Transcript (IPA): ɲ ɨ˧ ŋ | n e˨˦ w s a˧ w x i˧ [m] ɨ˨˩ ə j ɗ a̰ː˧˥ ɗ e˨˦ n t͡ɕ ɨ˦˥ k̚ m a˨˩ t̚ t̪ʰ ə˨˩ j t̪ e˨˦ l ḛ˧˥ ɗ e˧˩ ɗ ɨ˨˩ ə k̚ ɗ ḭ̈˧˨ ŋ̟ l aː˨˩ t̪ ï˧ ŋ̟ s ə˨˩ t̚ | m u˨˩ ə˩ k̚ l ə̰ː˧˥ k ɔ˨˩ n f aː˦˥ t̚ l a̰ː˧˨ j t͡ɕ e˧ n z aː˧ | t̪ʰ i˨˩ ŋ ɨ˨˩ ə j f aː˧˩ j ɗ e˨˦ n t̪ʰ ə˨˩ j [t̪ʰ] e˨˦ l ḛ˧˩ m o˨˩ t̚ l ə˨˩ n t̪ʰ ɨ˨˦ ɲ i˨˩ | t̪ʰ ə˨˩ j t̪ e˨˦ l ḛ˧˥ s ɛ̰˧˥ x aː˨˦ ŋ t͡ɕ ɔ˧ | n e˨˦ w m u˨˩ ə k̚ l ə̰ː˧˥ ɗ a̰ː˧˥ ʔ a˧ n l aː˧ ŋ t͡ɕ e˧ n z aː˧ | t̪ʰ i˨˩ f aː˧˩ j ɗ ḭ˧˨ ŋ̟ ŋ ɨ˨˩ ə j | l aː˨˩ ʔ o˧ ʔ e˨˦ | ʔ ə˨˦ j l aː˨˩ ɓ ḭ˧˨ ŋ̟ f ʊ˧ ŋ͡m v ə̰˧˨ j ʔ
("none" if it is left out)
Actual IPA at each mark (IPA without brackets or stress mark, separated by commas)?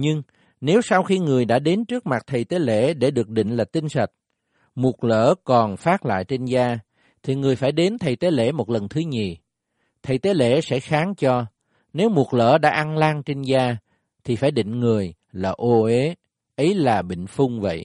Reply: ŋ, t̪